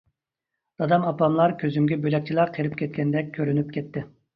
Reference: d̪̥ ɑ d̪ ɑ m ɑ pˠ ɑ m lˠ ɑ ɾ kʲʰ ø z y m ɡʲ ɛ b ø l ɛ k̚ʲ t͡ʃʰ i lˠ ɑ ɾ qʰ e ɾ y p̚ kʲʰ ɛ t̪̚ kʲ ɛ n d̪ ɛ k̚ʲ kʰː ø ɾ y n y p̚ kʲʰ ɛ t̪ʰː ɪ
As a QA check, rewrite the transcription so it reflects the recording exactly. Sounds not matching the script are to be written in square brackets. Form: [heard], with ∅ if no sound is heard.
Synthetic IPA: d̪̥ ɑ d̪ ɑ m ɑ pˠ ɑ m lˠ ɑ ɾ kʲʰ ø z y m ɡʲ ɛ b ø l ɛ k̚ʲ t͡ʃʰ i lˠ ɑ ɾ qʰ e ɾ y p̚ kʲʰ ɛ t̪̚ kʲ ɛ n d̪ ɛ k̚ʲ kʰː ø ɾ y n y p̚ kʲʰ ɛ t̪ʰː ɪ